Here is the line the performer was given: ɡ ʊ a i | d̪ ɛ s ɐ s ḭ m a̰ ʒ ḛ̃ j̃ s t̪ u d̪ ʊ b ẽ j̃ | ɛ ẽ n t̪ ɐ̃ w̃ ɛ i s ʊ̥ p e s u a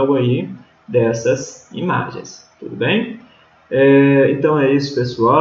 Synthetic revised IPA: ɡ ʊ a i | d̪ ɛ s ɐ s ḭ m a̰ ʒ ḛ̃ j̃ s t̪ u d̪ ʊ b ẽ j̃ | ɛ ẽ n t̪ ɐ̃ w̃ ɛ i s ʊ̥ p e s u a

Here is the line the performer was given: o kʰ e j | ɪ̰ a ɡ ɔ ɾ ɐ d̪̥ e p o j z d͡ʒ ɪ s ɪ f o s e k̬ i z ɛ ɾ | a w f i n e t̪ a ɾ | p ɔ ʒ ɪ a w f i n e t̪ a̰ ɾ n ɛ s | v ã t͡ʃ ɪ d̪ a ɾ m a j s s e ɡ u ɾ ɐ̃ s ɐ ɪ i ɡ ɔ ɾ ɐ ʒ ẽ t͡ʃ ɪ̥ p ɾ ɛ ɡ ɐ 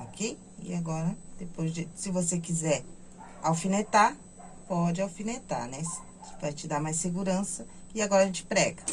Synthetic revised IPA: o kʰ e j | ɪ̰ a ɡ ɔ ɾ ɐ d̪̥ e p o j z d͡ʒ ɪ s ɪ v o s e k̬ i z ɛ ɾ | a w f i n e t̪ a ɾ | p ɔ d͡ʒ ɪ a w f i n e t̪ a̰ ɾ n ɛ s | v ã t͡ʃ ɪ d̪ a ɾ m a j s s e ɡ u ɾ ɐ̃ s ɐ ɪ a ɡ ɔ ɾ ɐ ʒ ẽ t͡ʃ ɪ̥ p ɾ ɛ ɡ ɐ

